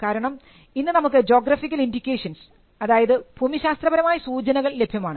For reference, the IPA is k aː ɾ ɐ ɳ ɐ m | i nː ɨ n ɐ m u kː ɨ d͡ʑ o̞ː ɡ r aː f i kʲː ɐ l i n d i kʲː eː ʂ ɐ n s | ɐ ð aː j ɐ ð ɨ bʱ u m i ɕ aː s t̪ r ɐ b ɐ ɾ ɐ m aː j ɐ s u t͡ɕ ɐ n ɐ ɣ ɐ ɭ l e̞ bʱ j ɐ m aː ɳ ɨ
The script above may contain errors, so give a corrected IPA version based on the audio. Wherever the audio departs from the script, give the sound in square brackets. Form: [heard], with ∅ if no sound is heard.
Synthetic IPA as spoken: k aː ɾ ɐ ɳ ɐ m | i nː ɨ n ɐ m u kː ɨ d͡ʑ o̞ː ɡ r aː f i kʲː ɐ l i n d i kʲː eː ʂ ɐ n s | ɐ ð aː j ɐ ð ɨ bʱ u m i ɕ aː s t̪ r ɐ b ɐ ɾ ɐ m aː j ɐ s [uː] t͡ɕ ɐ n ɐ ɣ ɐ ɭ l e̞ bʱ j ɐ m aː ɳ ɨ